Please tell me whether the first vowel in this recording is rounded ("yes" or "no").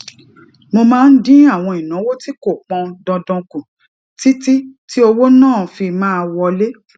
yes